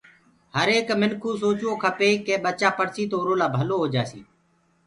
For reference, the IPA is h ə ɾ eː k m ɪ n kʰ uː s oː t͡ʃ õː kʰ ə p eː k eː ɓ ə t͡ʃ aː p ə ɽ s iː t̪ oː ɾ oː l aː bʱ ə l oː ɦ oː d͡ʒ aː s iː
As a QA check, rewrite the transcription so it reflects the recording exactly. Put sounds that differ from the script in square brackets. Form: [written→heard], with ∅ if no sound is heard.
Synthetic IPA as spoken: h ə ɾ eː k m ɪ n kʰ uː s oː t͡ʃ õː kʰ ə p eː k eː ɓ ə t͡ʃ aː p ə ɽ s iː t̪ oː ɾ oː l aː bʱ ə l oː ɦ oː d͡ʒ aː s iː